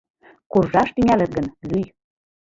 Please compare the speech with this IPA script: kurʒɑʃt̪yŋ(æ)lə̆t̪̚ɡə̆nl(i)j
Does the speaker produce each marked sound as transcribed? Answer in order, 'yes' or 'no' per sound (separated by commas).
yes, no